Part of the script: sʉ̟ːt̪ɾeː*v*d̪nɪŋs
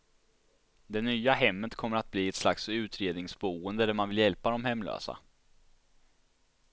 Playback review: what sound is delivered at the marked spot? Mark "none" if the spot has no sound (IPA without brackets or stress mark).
none